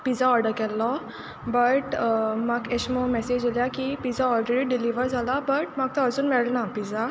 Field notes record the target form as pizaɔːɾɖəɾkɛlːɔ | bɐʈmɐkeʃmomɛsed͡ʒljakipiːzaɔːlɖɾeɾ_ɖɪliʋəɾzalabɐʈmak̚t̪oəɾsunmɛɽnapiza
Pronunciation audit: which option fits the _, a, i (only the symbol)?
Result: i